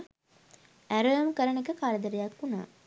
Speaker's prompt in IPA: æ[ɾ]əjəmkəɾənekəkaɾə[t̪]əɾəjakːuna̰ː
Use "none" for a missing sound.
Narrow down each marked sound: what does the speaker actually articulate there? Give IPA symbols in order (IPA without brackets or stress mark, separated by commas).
ɾ, d̪